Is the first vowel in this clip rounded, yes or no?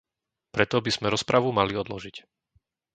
no